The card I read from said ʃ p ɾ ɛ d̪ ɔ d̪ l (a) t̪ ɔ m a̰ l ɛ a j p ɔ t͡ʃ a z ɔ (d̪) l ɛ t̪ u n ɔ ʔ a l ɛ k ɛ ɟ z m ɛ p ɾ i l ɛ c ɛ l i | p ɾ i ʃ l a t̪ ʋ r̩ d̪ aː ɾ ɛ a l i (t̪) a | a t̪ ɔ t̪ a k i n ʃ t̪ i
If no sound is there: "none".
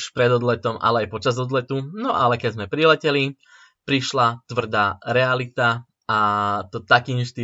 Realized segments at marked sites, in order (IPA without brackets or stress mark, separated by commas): ɛ, d̪, t̪